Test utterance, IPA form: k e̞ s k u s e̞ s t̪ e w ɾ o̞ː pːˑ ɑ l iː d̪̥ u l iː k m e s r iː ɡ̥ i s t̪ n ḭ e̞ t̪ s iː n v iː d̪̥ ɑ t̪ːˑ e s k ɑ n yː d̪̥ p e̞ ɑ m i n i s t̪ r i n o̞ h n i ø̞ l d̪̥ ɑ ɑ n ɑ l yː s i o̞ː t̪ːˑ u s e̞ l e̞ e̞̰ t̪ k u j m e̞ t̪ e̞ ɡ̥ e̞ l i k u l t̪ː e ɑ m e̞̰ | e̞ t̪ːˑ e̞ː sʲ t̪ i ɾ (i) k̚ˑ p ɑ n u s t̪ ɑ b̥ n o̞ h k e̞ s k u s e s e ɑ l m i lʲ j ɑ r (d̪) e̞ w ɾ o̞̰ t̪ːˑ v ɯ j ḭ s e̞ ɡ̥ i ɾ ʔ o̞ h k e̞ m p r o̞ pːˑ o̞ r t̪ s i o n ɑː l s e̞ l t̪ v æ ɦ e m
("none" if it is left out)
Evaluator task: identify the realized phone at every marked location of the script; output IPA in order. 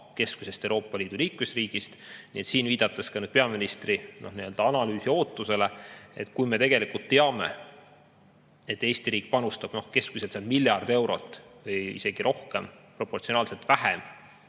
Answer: iː, d̪

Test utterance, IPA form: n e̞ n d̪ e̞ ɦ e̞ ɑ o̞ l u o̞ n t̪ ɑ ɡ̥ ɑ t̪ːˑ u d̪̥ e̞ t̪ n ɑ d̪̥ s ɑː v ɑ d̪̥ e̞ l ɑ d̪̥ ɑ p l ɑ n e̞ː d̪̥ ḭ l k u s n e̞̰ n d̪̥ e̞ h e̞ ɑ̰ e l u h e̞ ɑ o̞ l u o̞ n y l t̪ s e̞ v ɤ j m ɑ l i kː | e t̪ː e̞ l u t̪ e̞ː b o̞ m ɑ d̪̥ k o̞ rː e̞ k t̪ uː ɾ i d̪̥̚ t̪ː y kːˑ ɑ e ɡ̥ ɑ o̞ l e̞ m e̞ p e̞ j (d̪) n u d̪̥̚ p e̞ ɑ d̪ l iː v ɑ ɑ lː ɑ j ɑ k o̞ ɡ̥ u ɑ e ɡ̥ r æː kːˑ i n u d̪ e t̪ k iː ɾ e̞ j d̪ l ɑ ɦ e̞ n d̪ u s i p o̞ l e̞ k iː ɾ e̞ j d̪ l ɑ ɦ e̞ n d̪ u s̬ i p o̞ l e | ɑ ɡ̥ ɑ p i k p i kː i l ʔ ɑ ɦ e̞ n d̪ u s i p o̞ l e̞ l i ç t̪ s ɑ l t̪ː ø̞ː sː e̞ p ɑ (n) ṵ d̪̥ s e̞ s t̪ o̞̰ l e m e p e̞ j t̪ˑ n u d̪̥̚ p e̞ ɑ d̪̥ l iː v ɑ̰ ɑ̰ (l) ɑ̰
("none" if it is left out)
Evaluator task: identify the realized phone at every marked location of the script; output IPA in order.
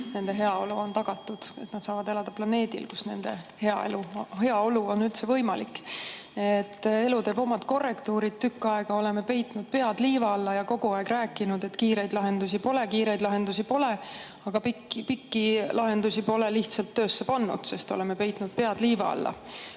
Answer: t̪, nː, lː

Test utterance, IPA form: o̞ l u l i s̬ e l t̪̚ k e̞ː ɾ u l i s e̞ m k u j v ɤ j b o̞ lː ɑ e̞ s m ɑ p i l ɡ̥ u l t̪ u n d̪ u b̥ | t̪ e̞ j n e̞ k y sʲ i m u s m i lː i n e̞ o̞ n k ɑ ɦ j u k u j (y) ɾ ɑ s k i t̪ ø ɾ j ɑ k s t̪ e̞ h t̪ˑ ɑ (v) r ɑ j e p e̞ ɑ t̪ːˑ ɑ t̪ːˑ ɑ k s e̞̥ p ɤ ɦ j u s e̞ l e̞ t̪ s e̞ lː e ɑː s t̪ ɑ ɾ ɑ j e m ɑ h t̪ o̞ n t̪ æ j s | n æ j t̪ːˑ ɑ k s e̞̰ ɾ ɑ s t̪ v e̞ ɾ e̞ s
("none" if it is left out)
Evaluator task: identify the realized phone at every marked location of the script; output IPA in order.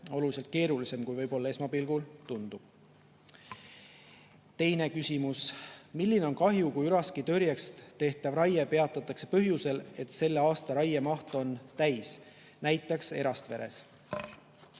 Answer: y, v

